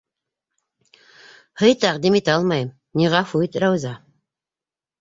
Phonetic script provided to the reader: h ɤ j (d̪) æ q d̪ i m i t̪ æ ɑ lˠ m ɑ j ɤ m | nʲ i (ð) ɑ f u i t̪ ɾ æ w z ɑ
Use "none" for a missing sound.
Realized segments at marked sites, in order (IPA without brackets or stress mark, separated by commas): t̪, ʁ